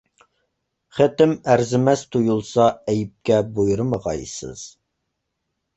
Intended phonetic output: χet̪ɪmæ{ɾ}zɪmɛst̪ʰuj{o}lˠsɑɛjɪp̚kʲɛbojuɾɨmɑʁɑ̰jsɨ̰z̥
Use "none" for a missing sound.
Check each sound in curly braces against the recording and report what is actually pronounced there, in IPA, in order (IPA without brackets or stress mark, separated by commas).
ɾ, u